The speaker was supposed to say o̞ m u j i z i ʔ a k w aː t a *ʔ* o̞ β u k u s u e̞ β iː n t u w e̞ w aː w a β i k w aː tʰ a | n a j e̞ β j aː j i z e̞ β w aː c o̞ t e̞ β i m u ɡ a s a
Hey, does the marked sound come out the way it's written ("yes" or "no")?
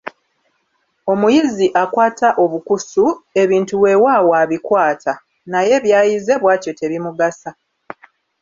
yes